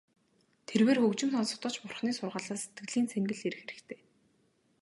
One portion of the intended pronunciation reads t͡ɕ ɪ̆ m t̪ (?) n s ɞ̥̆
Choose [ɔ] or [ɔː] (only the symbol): ɔ